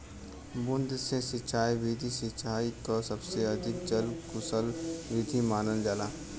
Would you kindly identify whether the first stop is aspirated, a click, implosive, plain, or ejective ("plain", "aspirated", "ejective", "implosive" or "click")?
plain